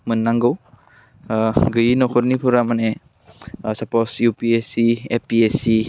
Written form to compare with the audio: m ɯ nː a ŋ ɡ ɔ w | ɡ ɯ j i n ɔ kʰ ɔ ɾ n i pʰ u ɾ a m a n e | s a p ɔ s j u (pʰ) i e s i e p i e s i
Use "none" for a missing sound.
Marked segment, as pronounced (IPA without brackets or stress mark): p